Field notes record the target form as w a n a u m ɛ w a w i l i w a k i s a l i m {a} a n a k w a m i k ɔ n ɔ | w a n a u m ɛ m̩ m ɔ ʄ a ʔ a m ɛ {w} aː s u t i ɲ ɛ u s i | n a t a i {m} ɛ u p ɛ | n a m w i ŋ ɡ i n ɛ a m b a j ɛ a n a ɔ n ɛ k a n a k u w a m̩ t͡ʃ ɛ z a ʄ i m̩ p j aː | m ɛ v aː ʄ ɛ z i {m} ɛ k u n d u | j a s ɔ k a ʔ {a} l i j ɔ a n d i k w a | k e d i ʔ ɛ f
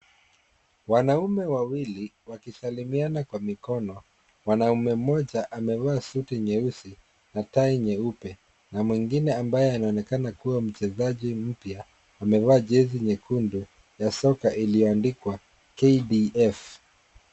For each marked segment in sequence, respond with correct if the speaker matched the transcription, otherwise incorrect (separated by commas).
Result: incorrect, incorrect, incorrect, incorrect, incorrect